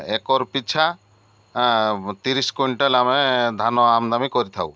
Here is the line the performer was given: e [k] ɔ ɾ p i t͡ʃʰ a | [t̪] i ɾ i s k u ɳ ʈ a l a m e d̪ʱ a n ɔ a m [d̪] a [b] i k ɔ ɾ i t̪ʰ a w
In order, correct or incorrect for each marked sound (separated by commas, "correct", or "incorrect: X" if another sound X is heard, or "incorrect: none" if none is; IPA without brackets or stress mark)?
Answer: correct, correct, correct, incorrect: m